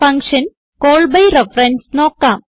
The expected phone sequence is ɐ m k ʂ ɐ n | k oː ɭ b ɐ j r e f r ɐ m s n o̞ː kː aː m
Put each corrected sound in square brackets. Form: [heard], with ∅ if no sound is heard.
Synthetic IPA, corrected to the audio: ɐ [ŋ] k ʂ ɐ n | k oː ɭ b ɐ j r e f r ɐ [n] s n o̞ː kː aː m